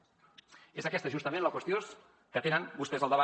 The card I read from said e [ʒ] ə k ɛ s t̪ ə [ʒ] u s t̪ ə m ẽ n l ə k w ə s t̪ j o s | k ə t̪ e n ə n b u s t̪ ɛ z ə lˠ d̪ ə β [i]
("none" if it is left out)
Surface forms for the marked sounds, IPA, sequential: z, ʒ, a

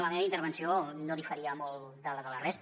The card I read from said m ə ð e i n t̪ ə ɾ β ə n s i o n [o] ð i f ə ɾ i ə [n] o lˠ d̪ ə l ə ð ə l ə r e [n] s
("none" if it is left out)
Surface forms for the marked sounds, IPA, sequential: o, m, none

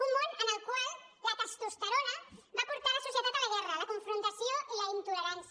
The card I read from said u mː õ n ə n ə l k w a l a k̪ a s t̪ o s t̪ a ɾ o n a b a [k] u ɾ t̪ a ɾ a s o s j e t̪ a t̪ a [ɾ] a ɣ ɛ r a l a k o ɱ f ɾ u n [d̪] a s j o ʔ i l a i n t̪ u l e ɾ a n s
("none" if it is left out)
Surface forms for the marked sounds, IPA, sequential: p, l, t̪

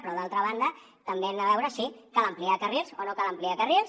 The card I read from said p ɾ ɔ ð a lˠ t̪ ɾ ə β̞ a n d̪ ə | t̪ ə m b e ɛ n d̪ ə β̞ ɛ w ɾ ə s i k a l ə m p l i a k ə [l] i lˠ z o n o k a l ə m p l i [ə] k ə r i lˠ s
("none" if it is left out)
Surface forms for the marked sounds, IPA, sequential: r, a

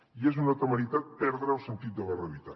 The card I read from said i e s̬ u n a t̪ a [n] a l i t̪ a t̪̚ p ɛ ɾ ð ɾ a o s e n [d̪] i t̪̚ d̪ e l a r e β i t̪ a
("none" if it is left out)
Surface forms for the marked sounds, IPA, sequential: m, t̪

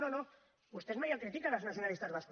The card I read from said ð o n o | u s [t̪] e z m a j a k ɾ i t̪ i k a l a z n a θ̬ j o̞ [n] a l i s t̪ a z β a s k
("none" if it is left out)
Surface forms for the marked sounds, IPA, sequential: t̪, n

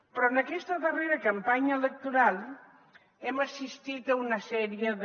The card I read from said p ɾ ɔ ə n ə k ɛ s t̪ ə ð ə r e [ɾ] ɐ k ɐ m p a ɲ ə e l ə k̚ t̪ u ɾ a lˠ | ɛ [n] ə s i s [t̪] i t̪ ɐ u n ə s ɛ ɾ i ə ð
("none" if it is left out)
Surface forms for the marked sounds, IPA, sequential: ɾ, m, t̪

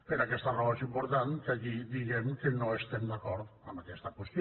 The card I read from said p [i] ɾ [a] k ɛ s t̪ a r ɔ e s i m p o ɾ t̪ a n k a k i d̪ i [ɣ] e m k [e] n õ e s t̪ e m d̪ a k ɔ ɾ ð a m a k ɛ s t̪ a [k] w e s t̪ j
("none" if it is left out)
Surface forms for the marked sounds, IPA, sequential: e, a, ɣ, e, k

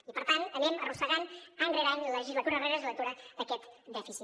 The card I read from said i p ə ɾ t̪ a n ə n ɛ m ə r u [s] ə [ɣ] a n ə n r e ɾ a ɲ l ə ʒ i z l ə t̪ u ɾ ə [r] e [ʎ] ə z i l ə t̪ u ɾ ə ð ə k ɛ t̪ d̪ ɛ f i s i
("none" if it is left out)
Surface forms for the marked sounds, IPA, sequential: s, ɣ, r, ɾ

